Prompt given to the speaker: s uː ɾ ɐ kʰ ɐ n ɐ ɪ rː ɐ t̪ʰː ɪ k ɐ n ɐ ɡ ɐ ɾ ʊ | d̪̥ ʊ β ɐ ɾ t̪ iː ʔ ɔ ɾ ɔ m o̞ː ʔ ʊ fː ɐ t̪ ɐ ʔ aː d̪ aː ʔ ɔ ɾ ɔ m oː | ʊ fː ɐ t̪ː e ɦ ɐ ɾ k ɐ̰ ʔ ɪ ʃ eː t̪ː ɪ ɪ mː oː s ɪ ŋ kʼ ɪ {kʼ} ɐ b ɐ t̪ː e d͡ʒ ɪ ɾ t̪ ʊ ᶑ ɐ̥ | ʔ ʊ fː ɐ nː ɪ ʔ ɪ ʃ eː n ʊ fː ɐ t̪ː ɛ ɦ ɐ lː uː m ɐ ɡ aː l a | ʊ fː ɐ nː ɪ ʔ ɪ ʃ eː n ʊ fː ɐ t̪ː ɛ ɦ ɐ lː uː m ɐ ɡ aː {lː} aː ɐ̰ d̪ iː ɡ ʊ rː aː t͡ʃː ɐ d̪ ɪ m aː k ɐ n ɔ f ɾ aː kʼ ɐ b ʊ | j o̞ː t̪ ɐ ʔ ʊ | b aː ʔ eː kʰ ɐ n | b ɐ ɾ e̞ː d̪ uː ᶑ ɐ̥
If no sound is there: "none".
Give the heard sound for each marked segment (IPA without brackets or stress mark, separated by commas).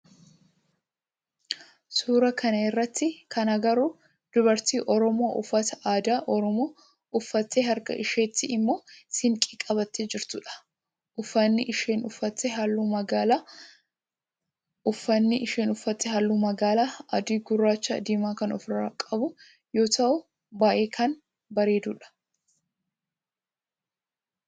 kʼ, l